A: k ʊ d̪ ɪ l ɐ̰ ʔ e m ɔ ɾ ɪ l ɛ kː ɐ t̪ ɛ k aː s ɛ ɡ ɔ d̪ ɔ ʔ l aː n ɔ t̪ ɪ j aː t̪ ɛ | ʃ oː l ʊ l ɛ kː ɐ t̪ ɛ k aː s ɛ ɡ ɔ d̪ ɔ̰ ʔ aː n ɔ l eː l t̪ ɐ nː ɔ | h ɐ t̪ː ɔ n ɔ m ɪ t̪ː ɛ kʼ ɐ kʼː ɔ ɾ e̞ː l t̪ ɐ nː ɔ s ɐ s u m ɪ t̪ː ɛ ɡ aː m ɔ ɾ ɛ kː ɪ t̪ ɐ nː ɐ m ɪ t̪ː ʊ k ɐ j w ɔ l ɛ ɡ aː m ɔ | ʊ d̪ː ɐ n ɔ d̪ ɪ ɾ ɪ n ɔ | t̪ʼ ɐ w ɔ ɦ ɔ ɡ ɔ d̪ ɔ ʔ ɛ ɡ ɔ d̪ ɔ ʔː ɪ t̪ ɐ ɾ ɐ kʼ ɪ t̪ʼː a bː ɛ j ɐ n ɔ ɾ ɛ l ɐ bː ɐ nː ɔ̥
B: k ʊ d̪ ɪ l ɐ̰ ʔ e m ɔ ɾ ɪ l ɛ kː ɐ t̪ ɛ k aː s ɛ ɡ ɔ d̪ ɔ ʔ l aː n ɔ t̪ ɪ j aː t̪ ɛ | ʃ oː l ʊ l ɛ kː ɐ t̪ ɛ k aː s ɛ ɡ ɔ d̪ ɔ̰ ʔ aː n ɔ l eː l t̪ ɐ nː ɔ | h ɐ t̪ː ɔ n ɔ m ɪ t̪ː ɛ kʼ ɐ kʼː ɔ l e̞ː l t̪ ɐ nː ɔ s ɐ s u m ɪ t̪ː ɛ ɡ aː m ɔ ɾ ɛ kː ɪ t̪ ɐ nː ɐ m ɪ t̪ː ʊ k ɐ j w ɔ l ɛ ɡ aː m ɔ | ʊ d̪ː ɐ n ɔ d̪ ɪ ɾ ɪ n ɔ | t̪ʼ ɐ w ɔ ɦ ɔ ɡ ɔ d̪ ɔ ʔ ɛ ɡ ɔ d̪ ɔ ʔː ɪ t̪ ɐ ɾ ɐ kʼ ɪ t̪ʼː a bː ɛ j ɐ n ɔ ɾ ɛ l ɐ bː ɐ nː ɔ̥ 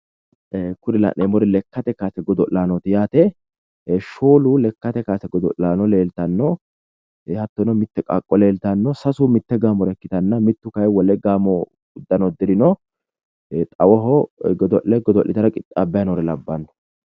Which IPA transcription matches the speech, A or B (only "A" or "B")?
B